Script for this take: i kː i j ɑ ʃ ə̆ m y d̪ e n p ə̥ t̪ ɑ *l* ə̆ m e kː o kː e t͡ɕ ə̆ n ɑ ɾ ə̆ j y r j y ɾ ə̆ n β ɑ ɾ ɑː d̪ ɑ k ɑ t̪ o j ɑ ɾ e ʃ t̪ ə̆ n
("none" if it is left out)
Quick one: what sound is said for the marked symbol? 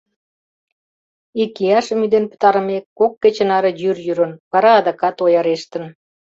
ɾ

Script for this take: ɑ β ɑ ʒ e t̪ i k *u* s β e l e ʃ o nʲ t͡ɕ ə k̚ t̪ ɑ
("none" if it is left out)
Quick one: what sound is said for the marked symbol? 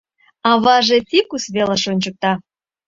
u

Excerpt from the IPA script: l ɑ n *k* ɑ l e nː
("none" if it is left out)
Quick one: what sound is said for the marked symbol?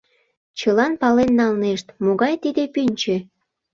p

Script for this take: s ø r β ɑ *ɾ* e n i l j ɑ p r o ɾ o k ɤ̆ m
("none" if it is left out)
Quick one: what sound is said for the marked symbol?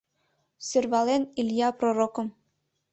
l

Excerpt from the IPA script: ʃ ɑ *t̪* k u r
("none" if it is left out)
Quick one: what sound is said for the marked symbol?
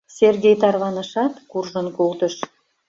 t̪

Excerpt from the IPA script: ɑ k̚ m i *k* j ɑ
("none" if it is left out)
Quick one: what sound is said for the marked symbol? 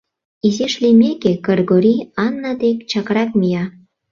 none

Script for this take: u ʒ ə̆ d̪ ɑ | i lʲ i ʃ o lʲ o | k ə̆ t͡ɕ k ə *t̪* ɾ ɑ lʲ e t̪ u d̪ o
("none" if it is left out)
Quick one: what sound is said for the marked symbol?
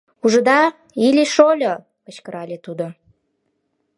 none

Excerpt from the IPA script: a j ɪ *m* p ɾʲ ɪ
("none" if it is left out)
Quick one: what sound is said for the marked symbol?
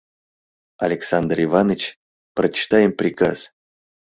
m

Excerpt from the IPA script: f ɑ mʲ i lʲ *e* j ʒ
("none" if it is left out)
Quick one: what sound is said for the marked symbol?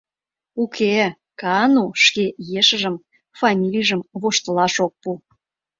i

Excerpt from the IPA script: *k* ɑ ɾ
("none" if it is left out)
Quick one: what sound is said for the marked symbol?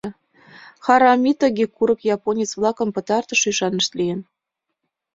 x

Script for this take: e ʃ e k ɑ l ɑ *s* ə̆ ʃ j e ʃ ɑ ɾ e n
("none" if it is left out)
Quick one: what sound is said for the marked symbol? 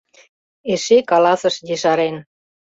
s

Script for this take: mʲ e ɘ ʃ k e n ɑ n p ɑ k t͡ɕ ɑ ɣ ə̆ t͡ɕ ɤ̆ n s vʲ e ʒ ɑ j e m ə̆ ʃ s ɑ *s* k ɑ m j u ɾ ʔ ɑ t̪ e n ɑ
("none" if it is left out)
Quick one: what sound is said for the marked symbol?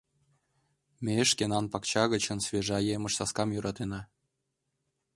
s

